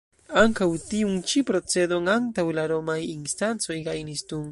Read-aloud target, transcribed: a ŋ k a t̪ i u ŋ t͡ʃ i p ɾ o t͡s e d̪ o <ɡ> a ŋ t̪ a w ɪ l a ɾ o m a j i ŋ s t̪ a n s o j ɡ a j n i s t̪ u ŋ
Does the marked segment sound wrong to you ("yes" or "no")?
yes